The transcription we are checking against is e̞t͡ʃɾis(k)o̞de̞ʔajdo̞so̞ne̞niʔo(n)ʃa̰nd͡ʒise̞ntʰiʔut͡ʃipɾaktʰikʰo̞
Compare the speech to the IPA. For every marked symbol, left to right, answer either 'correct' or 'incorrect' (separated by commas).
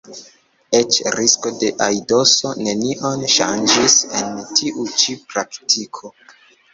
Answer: correct, correct